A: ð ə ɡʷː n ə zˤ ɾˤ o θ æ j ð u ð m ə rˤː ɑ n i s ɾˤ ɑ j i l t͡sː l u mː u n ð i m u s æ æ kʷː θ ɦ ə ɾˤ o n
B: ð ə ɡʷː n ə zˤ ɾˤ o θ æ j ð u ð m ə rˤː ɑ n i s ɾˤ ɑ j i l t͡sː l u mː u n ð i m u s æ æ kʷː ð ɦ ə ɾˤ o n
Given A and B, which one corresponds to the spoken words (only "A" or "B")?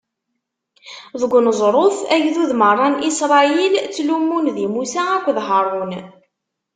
B